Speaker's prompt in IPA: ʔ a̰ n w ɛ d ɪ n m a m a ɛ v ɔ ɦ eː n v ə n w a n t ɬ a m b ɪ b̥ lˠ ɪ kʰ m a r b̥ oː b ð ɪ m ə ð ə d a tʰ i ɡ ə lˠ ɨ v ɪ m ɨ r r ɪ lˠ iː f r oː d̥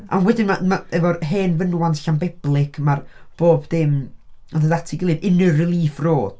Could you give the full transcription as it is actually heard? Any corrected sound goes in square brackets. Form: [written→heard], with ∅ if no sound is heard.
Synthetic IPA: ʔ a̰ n w ɛ d ɪ n m a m a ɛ v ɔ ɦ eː n v ə n w a n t ɬ a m b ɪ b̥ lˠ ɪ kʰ m a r b̥ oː b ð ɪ m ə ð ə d a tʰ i ɡ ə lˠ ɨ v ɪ [m→n] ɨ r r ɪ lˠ iː f r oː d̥